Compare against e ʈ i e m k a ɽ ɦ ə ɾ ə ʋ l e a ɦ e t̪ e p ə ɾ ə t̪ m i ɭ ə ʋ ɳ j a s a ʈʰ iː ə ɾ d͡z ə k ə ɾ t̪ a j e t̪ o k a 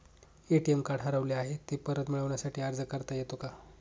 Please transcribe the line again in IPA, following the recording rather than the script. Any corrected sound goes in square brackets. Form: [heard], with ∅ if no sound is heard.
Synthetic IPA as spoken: e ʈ i e m k a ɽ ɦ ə ɾ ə ʋ l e a ɦ e t̪ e p ə ɾ ə t̪ m i ɭ ə ʋ ɳ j a s a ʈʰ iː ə ɾ d͡z ə k ə ɾ t̪ a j e t̪ o k a